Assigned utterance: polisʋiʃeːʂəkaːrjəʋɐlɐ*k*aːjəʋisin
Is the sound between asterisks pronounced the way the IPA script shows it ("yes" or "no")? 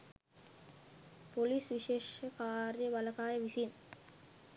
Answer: yes